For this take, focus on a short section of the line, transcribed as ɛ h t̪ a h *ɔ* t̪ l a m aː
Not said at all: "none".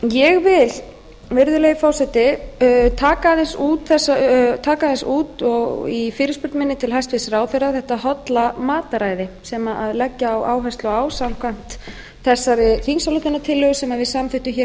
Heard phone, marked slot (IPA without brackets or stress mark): ɔ